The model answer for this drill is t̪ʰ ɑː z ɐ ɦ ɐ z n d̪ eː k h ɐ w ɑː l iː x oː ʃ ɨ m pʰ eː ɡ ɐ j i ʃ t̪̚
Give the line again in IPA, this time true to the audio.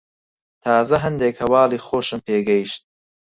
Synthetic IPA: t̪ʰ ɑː z ɐ ɦ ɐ n d̪ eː k h ɐ w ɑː l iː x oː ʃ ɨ m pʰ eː ɡ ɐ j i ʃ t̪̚